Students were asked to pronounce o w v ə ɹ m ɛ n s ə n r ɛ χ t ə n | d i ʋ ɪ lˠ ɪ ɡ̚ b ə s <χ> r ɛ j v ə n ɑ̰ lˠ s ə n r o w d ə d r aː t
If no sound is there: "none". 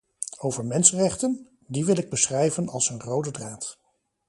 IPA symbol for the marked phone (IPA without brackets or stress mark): χ